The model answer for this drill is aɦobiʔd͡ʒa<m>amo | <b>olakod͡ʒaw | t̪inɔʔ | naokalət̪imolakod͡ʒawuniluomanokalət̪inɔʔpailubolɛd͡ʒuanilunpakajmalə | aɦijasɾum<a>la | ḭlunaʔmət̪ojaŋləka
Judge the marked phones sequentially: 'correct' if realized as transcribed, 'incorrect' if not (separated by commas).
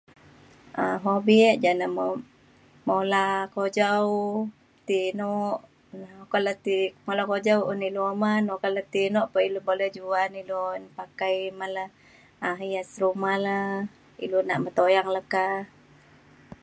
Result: incorrect, incorrect, correct